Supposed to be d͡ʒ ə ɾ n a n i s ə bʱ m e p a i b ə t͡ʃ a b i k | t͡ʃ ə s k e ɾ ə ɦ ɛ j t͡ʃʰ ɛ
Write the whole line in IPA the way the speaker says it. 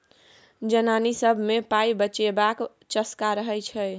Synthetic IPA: d͡ʒ ə n a n i s ə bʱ m e p a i b ə t͡ʃ e b a k | t͡ʃ ə s k a ɾ ə ɦ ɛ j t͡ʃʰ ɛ